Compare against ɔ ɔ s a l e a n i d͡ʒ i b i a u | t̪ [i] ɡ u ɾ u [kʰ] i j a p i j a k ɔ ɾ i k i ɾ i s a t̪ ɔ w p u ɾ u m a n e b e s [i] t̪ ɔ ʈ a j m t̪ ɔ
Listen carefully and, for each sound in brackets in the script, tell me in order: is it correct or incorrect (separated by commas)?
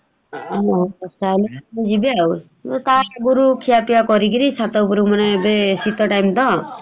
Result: incorrect, correct, correct